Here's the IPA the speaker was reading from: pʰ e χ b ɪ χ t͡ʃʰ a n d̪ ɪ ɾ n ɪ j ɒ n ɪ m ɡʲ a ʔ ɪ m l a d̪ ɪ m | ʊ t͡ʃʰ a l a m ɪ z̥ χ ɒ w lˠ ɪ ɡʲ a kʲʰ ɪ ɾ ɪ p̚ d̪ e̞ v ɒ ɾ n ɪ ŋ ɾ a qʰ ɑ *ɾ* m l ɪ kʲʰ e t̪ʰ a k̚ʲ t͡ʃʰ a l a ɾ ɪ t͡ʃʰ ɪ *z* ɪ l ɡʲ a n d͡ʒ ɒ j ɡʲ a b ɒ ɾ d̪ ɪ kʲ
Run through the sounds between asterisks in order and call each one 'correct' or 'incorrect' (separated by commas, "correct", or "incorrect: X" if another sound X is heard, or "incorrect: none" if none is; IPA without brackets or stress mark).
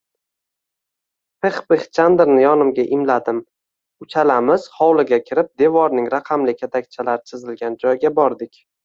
incorrect: none, correct